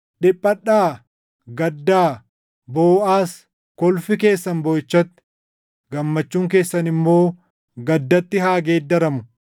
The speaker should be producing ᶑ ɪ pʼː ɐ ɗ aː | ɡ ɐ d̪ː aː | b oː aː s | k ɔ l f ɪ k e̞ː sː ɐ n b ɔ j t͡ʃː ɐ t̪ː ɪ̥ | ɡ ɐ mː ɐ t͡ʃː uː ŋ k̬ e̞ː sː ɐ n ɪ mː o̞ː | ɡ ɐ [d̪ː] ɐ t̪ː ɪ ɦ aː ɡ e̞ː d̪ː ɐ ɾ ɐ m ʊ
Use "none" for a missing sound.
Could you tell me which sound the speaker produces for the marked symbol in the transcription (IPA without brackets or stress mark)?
d̪ː